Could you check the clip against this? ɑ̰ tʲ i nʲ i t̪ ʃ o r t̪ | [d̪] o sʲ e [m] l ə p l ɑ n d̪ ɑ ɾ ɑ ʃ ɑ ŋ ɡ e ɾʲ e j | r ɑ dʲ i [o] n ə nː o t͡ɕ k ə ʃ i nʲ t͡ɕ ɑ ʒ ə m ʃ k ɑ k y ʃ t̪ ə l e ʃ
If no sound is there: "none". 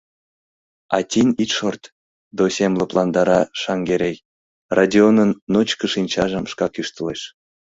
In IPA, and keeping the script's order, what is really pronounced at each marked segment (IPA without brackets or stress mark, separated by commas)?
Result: d̪, m, o